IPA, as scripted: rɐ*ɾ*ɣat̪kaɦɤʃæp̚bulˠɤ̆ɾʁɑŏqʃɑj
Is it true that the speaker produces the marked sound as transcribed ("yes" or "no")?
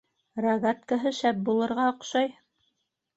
no